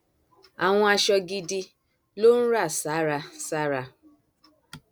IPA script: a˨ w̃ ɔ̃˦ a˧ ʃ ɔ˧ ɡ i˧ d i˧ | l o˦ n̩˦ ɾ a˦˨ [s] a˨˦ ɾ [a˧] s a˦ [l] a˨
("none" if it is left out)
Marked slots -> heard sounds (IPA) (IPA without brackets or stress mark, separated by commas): s, a˧, ɾ